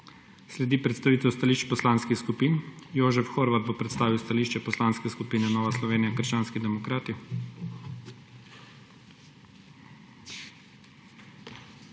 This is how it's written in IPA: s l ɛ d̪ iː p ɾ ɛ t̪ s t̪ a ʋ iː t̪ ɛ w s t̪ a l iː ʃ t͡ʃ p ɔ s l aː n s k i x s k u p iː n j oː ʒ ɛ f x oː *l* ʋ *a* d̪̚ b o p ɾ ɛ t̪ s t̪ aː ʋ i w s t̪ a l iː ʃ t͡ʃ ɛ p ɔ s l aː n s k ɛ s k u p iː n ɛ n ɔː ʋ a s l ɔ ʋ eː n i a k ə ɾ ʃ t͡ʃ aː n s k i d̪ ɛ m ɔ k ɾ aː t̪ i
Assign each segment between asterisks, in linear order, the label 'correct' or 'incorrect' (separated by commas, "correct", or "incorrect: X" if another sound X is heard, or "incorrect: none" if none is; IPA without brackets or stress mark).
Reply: incorrect: ɾ, correct